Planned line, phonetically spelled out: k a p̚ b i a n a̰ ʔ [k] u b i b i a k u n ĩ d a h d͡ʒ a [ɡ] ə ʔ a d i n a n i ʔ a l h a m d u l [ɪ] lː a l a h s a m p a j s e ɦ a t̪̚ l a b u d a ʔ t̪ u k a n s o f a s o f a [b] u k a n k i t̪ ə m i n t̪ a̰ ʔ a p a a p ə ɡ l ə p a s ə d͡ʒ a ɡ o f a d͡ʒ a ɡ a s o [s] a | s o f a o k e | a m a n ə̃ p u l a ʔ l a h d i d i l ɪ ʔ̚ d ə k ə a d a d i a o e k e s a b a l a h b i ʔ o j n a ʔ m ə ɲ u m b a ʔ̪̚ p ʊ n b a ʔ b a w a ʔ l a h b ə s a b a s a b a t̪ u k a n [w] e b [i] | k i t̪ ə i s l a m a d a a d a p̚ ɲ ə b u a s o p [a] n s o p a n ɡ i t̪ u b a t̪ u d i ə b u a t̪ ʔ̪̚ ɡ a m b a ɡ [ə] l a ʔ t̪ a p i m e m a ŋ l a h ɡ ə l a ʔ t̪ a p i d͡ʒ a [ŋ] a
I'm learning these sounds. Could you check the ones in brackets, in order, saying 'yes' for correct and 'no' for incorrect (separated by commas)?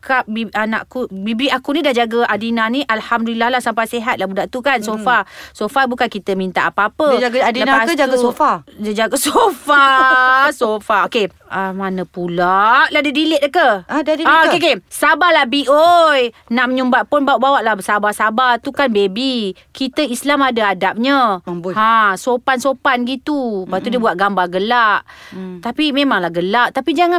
yes, yes, no, yes, no, no, yes, yes, yes, yes